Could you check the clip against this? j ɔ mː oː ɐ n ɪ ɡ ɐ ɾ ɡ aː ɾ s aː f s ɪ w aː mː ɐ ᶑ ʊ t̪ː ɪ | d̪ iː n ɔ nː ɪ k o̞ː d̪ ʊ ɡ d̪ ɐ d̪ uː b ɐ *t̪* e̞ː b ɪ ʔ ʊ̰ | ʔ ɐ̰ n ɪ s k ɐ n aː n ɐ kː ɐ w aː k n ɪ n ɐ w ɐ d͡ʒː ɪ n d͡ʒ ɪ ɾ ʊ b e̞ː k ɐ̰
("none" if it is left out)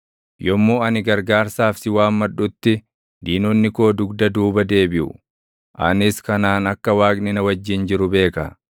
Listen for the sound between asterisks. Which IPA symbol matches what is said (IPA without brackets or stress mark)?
d̪